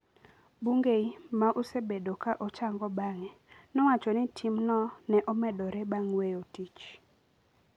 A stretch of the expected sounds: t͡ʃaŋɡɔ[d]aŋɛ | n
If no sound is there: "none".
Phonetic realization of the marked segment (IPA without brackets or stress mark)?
b